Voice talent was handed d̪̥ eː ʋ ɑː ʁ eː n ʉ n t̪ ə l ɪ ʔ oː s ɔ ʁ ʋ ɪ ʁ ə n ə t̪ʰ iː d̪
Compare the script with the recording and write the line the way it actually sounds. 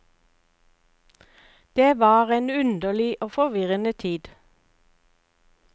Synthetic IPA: d̪̥ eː ʋ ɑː ʁ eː n ʉ n d̪ ə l ɪ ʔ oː f ɔ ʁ ʋ ɪ ʁ ə n ə t̪ʰ iː d̪